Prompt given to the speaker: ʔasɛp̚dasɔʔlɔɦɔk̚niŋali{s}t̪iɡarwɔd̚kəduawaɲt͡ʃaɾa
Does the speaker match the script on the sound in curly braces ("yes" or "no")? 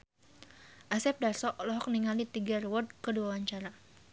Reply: no